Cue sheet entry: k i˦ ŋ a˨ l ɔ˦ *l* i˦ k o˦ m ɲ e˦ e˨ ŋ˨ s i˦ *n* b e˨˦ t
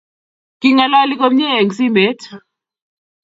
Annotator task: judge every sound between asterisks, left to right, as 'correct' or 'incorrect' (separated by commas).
correct, incorrect